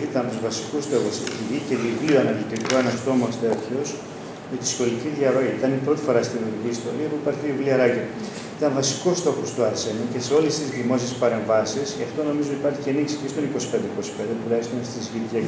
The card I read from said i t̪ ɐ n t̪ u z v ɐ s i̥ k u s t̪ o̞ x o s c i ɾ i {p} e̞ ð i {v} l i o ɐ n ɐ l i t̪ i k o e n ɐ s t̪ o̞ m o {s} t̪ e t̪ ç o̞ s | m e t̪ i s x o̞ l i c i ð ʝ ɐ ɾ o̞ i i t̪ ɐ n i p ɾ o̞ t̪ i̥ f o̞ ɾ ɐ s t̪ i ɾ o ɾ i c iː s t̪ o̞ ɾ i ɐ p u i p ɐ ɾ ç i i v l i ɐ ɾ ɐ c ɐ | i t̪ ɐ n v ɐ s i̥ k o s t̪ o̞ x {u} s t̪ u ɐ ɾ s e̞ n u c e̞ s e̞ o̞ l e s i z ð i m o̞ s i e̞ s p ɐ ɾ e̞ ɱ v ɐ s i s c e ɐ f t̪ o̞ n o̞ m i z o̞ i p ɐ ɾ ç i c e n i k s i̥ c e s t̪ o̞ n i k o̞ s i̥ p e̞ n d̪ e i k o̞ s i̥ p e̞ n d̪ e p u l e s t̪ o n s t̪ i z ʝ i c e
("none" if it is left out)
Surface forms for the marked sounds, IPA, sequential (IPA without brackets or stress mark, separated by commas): c, v, s, o